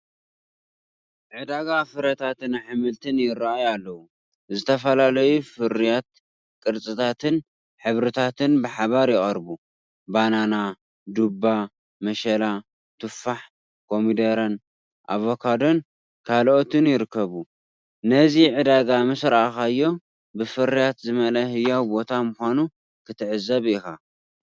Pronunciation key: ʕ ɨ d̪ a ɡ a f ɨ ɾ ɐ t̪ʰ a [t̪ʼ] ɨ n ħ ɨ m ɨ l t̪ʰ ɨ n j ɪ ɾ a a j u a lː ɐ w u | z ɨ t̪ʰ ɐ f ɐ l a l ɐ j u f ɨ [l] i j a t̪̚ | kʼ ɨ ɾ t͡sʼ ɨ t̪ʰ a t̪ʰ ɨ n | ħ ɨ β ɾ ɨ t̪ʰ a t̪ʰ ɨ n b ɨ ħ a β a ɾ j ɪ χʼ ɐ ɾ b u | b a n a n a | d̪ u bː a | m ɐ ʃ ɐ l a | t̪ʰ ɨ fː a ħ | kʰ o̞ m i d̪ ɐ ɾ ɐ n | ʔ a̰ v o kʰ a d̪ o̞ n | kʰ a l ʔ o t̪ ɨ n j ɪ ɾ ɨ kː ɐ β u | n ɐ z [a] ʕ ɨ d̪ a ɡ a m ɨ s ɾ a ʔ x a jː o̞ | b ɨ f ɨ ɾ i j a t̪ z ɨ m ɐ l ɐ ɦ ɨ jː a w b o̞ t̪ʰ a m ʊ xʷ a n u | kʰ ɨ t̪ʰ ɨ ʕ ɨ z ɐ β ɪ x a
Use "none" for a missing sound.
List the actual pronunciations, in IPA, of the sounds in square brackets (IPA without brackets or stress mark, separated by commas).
t̪, ɾ, i